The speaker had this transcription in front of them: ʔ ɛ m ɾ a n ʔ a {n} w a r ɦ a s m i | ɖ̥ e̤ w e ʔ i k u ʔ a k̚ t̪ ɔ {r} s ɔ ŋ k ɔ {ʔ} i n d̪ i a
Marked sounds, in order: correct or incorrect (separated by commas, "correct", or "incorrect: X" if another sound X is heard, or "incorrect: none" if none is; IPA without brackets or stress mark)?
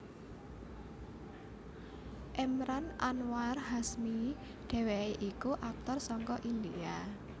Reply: correct, correct, correct